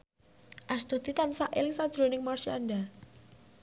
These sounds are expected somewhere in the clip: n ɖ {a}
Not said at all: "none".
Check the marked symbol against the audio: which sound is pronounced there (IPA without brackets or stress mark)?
a